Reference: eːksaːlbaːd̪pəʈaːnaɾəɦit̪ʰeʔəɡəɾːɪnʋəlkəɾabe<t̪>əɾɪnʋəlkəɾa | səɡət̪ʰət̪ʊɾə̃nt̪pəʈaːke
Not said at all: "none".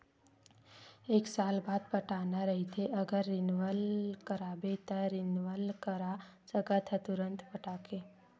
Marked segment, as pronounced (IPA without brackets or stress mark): t̪